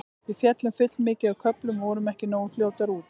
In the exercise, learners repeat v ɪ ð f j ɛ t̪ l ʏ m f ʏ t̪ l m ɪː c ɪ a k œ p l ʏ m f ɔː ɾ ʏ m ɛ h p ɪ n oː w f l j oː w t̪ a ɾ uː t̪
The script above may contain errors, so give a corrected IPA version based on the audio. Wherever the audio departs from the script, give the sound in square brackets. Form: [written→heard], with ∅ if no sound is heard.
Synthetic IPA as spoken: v ɪ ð f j ɛ t̪ l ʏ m f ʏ t̪ l m ɪː c ɪ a [k→kʰ] œ p l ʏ m [f→v] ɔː ɾ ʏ m ɛ h [p→c] ɪ n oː w f l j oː w t̪ a ɾ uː t̪